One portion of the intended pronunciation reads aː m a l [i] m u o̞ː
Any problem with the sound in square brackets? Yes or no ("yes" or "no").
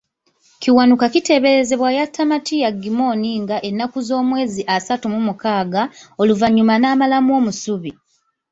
yes